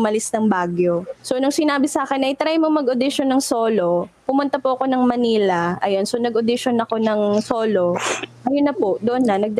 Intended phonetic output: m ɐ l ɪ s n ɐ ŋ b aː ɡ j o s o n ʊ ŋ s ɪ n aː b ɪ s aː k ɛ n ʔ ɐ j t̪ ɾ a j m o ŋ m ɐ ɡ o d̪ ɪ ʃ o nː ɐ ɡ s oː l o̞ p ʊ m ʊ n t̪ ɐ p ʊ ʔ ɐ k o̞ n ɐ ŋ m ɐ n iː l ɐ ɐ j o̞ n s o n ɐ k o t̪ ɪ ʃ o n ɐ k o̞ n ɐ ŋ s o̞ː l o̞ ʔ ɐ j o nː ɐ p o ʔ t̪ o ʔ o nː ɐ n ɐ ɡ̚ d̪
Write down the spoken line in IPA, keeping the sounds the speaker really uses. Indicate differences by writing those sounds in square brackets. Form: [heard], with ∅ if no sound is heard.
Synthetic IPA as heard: m ɐ l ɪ s n ɐ ŋ b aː ɡ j o s o n ʊ ŋ s ɪ n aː b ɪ s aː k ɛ n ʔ ɐ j t̪ ɾ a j m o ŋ m ɐ ɡ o d̪ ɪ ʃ o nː ɐ [ŋ] s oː l o̞ p ʊ m ʊ n t̪ ɐ p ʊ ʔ ɐ k o̞ n ɐ ŋ m ɐ n iː l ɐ ɐ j o̞ n s o n ɐ [ɡ] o [d̪] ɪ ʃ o n ɐ k o̞ n ɐ ŋ s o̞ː l o̞ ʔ ɐ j o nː ɐ p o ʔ [d̪] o ʔ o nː ɐ n ɐ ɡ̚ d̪